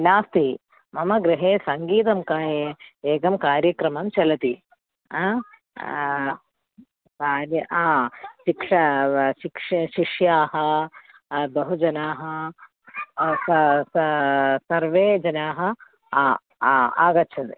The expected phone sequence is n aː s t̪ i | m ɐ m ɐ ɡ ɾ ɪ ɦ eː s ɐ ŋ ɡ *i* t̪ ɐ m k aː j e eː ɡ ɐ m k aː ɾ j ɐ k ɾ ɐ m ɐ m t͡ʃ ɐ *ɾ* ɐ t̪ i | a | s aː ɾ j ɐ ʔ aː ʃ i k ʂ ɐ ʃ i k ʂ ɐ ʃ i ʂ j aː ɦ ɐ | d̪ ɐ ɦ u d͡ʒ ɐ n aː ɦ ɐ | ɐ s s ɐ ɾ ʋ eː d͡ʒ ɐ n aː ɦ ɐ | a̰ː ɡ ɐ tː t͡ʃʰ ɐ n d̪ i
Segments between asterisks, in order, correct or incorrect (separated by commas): incorrect, incorrect